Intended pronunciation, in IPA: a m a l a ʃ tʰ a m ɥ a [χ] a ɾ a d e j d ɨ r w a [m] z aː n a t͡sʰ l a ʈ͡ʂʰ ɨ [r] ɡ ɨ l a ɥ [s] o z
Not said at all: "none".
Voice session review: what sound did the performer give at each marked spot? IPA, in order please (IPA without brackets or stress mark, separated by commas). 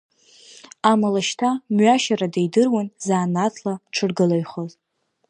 ʃ, n, r, χ